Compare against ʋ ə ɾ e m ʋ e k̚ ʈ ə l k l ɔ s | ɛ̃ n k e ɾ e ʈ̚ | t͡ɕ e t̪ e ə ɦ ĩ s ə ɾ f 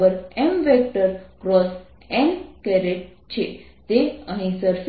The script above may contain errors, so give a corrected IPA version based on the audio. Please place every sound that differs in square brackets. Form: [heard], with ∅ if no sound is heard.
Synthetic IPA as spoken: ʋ ə ɾ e m ʋ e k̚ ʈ ə [ɾ] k [ɾ] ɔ s | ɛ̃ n k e ɾ e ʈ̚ | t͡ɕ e t̪ e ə ɦ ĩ s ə ɾ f